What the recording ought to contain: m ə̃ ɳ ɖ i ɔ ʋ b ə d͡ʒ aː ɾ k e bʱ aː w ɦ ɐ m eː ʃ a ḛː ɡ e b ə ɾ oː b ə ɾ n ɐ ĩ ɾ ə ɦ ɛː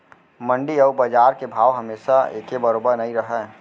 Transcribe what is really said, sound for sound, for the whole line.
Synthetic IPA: m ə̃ ɳ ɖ i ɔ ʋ b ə d͡ʒ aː ɾ k e bʱ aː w ɦ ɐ m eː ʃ a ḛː k e b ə ɾ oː b ə ɾ n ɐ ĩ ɾ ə ɦ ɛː